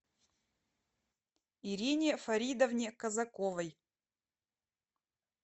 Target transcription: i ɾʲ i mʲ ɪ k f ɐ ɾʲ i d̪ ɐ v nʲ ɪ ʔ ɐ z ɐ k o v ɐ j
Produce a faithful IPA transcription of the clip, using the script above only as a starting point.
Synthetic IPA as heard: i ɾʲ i nʲ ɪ f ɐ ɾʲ i d̪ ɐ v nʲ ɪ k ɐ z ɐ k o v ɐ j